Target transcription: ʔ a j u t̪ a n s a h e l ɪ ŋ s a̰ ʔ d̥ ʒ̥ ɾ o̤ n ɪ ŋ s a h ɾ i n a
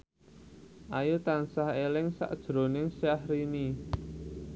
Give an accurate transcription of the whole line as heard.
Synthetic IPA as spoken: ʔ a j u t̪ a n s a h e l ɪ ŋ s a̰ ʔ d̥ ʒ̥ ɾ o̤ n ɪ ŋ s a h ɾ i n i